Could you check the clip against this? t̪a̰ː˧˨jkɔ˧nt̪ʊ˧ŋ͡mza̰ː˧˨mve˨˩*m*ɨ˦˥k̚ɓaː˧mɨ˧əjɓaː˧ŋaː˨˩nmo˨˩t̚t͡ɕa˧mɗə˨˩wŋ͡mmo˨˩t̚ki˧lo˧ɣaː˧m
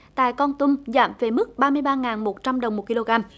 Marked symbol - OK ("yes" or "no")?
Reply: yes